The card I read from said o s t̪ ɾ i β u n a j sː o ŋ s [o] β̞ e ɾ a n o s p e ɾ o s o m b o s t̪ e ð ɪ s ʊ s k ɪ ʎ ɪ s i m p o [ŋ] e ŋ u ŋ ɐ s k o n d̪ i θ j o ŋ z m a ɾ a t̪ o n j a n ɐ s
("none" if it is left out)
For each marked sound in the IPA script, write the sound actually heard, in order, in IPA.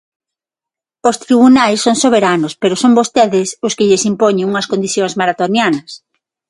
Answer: o, ɲ

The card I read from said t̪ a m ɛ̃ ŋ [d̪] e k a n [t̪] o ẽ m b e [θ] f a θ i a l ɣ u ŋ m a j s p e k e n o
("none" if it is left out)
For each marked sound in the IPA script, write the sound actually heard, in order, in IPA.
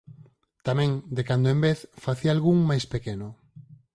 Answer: d̪, d̪, θ

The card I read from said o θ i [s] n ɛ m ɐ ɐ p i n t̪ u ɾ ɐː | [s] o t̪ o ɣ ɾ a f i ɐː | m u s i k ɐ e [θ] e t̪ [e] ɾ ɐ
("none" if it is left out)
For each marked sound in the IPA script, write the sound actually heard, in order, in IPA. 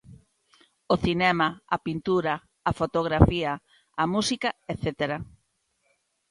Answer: none, f, θ, e

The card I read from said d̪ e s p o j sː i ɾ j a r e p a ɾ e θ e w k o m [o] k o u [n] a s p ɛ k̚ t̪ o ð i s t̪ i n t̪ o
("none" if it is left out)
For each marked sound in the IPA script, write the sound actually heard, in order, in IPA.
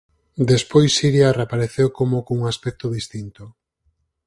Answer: o, ŋ

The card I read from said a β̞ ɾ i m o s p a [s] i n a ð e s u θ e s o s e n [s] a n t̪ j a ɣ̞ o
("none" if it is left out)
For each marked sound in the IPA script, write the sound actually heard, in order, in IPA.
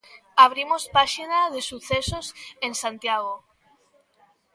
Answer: ʃ, s

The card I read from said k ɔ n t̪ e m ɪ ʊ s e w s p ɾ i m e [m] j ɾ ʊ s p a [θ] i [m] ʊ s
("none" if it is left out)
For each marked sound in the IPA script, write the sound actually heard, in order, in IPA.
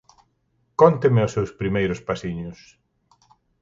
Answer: none, s, ɲ

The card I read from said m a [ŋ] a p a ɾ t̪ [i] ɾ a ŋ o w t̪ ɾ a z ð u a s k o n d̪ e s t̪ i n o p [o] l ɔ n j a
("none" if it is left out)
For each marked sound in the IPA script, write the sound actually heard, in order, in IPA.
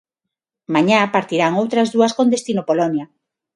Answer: ɲ, i, o

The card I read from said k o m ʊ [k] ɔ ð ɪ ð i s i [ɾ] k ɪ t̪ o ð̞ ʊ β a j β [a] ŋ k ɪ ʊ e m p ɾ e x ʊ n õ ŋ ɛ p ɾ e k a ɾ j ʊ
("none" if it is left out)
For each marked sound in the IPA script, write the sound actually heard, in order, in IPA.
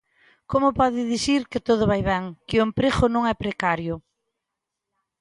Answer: p, ɾ, ɛ

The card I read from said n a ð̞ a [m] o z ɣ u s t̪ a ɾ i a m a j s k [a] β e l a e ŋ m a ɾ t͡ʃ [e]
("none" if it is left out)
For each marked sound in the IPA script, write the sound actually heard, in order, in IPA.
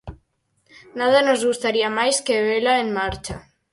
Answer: n, e, a

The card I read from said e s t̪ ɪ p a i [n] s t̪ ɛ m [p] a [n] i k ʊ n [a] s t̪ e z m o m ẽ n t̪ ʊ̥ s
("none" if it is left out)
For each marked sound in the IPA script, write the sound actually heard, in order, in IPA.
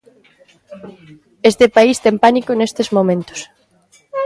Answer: none, p, n, e

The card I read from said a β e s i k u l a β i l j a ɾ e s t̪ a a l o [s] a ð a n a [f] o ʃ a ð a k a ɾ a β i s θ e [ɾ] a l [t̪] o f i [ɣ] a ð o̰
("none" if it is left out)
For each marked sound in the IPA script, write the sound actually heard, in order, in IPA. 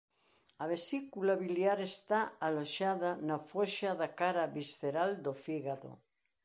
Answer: ʃ, f, ɾ, d̪, ɣ

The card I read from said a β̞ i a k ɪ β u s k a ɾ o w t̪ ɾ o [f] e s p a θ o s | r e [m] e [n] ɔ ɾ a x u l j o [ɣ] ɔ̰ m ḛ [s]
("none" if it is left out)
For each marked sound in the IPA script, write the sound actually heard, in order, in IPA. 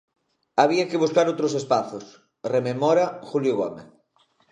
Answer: s, m, m, ɣ, θ

